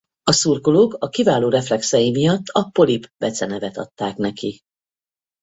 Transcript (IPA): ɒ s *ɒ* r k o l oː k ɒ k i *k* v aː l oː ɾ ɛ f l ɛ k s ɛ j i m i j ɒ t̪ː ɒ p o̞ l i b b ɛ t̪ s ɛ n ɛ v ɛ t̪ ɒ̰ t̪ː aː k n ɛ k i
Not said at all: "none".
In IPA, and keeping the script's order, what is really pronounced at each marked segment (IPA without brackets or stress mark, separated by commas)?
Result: u, none